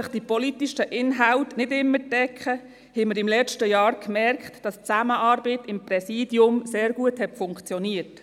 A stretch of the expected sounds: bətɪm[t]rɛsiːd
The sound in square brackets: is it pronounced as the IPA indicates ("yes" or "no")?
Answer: no